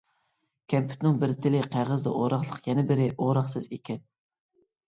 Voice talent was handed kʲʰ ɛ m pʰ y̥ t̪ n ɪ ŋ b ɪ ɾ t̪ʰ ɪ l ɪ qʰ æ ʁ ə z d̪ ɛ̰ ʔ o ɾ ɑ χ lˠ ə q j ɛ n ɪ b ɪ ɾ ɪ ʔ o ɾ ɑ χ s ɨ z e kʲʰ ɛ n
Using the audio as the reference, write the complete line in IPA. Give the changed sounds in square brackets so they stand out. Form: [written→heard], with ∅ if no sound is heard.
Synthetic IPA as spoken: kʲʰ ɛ m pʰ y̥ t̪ n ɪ ŋ b ɪ ɾ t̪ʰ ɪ l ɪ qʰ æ ʁ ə z d̪ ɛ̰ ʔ o ɾ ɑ χ lˠ ə q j ɛ n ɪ b ɪ ɾ ɪ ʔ o ɾ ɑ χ s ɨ z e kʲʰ ɛ n